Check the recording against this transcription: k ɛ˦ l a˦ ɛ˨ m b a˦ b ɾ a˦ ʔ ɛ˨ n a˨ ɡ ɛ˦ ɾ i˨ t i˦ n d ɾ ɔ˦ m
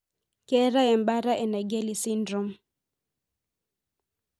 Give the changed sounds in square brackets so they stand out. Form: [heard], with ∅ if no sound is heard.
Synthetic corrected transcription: k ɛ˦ [ɾ] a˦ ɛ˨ m b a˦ [∅] ɾ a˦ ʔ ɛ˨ n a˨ ɡ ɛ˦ [l] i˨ [s] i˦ n d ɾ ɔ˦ m